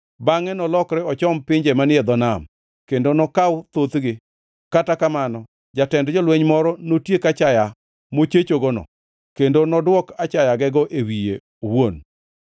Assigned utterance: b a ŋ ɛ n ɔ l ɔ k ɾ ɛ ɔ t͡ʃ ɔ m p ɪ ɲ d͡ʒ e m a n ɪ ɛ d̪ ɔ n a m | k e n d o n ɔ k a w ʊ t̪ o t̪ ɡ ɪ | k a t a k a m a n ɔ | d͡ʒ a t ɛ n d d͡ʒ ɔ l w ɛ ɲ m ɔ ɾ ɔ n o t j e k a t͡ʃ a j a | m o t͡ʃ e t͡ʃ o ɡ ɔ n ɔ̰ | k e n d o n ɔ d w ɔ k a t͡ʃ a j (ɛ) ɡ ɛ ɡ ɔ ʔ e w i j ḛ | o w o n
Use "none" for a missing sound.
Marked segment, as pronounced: a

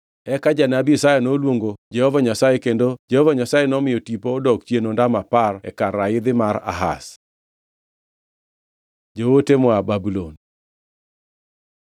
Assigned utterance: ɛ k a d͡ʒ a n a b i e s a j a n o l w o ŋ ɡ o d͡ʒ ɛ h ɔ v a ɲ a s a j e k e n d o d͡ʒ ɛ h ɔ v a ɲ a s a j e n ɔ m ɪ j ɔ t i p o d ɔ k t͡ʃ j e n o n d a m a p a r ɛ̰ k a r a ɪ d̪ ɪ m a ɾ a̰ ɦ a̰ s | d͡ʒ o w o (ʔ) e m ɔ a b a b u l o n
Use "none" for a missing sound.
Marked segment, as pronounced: t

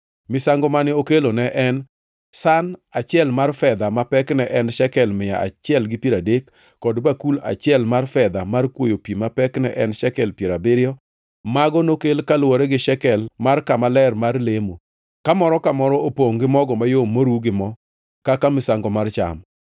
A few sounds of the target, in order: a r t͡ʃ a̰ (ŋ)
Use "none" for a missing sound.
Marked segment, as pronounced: m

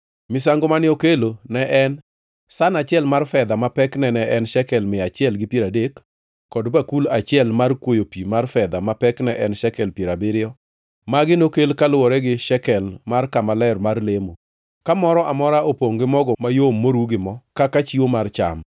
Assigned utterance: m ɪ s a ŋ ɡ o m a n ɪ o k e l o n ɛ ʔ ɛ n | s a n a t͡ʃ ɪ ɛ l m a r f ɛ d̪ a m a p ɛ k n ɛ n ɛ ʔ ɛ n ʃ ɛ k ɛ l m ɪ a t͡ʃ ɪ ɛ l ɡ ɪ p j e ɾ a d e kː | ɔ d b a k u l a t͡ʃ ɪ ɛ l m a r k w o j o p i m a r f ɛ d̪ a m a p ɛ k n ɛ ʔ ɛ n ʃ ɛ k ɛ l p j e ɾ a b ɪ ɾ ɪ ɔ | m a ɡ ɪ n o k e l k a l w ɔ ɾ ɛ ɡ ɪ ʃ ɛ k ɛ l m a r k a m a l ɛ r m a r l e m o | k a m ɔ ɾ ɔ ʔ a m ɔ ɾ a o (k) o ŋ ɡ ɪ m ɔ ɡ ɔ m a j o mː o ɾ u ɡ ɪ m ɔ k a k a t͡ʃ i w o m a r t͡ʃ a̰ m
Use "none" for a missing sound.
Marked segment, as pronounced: p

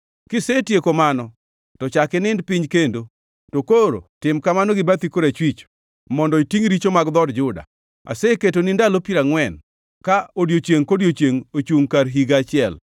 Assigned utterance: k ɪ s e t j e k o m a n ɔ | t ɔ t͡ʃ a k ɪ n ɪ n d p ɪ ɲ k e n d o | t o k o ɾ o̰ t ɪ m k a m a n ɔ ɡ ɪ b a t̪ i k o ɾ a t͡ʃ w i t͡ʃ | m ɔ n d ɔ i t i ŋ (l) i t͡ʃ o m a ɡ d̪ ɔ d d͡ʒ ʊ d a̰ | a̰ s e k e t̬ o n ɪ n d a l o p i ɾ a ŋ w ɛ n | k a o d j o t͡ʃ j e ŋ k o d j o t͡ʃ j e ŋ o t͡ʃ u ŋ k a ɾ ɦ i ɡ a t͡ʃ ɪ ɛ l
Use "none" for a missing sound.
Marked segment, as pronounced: ɾ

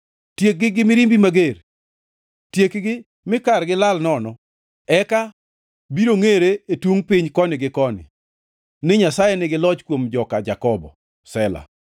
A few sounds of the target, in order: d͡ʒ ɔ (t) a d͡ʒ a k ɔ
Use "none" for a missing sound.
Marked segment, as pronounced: k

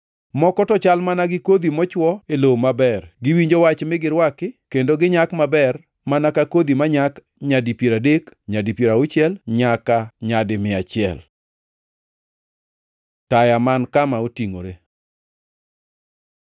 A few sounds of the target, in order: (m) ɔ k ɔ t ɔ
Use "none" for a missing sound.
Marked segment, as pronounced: m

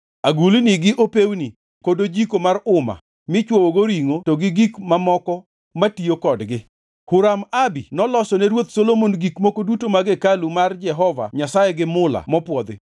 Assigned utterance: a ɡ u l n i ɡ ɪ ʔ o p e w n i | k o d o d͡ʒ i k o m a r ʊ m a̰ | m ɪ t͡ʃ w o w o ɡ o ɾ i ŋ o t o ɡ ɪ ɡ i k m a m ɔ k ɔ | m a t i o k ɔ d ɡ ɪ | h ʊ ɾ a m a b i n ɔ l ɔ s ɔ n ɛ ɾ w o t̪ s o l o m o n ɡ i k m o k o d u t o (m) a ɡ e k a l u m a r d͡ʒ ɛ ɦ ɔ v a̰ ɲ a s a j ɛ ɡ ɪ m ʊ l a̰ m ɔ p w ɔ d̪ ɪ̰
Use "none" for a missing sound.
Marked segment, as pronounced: m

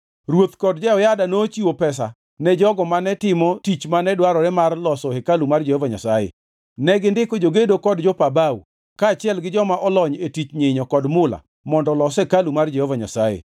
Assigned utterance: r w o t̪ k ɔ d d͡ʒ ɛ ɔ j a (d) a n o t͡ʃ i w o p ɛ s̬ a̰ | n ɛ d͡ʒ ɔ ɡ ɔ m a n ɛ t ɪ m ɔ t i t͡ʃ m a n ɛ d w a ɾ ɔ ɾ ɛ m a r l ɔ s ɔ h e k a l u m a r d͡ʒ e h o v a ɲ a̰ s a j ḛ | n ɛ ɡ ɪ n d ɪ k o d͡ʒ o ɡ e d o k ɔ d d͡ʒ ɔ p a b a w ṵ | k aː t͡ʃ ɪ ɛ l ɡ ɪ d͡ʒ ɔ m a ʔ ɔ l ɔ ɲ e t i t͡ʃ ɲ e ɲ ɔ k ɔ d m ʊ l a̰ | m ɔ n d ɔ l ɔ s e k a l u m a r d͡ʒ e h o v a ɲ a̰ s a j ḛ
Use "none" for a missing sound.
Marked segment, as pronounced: d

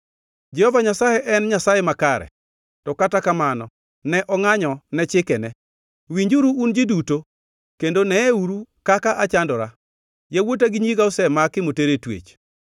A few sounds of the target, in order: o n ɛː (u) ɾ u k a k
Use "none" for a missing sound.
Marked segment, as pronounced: u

